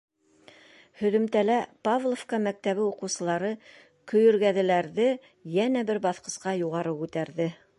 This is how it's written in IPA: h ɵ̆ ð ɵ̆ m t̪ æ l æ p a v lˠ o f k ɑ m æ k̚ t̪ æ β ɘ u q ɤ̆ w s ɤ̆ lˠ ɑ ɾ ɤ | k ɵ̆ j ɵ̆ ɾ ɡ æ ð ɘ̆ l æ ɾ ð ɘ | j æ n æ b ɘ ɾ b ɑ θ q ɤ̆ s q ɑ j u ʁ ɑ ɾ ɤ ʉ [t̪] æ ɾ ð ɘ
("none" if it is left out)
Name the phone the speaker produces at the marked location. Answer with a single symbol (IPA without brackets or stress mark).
t̪